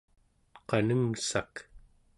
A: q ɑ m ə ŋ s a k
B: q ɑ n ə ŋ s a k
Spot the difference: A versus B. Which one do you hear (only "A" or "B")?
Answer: B